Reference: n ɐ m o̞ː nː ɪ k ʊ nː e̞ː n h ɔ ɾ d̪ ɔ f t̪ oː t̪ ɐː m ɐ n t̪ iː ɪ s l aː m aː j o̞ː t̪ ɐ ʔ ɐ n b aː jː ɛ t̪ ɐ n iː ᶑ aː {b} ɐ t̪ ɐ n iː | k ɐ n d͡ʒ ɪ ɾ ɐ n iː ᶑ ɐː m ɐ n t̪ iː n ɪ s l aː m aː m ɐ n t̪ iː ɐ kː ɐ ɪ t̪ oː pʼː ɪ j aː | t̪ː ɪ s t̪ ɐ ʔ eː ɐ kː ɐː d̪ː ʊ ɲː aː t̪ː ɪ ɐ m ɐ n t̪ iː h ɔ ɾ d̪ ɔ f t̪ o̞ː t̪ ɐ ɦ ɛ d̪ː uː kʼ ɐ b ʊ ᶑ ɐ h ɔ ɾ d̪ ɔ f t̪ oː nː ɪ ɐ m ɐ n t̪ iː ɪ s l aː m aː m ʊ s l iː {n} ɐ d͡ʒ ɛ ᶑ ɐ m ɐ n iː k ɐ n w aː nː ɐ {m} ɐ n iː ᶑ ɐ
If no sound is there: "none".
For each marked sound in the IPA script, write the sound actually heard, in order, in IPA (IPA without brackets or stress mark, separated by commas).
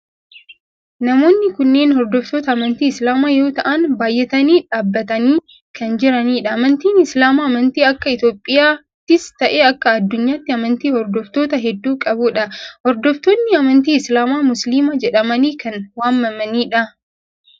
bː, m, m